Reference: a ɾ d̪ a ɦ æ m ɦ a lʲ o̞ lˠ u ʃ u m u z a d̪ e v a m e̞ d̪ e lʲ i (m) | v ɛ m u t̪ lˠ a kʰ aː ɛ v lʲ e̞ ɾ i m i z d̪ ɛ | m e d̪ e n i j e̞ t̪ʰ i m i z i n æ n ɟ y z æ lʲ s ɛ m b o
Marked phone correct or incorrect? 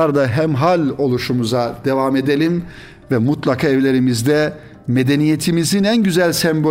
correct